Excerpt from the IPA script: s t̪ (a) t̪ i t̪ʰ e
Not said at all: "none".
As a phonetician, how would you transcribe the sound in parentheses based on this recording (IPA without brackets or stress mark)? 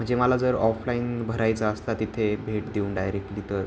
a